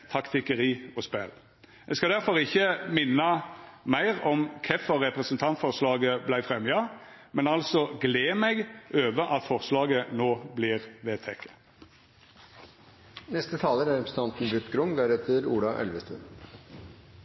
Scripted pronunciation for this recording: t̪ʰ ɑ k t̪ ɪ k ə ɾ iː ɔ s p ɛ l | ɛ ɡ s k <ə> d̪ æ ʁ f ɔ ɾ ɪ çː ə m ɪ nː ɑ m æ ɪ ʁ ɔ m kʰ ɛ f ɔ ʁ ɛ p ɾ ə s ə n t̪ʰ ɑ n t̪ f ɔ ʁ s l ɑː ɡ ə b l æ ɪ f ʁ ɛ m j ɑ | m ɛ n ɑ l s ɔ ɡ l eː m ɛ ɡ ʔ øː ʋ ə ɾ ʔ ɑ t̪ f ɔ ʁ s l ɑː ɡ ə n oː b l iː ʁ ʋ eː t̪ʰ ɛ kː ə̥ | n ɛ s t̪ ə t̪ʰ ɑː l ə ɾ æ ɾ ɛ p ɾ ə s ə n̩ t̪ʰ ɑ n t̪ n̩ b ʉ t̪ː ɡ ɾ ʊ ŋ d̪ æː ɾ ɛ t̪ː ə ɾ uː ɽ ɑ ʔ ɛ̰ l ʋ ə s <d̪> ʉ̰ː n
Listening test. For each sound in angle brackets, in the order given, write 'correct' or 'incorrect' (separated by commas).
incorrect, incorrect